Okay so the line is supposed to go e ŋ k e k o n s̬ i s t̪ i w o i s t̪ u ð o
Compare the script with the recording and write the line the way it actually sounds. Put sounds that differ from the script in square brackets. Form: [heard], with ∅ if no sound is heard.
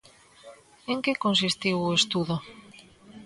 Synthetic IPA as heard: e ŋ k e k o n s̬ i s t̪ i w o [e] s t̪ u ð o